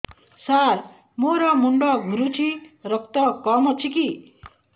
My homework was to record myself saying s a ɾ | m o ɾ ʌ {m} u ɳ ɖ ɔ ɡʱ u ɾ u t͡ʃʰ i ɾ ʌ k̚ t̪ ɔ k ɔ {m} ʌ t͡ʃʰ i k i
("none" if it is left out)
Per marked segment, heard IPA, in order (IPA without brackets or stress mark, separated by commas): m, m